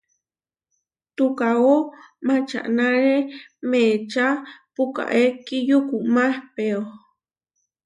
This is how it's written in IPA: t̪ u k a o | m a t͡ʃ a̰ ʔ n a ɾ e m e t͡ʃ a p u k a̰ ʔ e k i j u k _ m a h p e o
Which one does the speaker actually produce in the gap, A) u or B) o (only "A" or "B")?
A